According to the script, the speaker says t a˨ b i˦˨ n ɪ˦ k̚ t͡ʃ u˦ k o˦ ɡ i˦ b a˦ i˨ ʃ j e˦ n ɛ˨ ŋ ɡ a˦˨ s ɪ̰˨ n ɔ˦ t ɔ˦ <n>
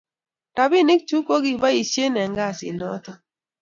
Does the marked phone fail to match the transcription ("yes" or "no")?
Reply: yes